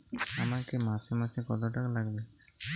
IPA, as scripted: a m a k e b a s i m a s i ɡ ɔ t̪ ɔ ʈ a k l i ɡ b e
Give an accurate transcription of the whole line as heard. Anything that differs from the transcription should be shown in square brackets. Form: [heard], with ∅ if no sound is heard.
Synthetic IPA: a m a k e [m] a s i m a s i [k] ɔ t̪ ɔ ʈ a k l [a] ɡ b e